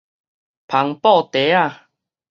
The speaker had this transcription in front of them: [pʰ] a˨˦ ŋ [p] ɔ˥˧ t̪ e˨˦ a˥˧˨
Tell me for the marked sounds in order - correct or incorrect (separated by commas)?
correct, correct